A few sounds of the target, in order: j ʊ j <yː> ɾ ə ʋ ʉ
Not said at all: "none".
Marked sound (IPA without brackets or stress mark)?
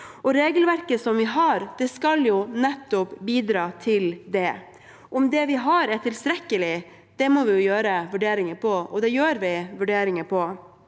øː